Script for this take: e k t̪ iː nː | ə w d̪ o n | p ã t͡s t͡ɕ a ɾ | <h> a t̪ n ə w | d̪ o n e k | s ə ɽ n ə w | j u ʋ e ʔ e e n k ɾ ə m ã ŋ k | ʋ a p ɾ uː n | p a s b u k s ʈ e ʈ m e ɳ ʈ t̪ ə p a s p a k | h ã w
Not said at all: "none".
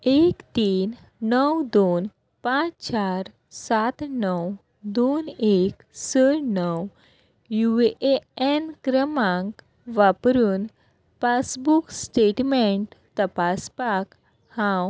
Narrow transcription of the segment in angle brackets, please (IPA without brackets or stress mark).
s